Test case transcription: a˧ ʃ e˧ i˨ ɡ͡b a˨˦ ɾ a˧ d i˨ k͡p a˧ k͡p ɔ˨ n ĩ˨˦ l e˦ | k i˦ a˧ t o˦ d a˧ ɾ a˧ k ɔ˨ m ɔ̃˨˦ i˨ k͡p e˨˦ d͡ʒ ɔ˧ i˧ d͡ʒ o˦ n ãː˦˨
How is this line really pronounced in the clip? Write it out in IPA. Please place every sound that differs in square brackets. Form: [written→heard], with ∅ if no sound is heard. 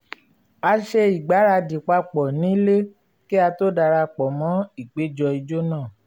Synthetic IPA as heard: a˧ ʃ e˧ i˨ ɡ͡b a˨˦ ɾ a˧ d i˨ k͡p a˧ k͡p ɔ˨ n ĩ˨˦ l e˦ | k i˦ a˧ t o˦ d a˧ ɾ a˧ [k→k͡p] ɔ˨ m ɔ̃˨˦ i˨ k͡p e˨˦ d͡ʒ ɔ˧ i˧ d͡ʒ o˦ n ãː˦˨